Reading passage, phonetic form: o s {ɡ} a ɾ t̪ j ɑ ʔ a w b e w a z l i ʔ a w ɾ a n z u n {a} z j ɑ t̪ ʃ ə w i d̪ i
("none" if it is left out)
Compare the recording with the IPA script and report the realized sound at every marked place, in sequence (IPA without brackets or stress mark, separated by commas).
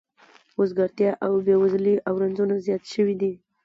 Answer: ɡ, a